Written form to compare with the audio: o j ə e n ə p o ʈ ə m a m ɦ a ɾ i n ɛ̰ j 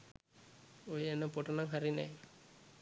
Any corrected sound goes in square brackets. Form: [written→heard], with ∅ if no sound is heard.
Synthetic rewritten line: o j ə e n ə p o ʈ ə [m→n] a [m→ŋ] ɦ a ɾ i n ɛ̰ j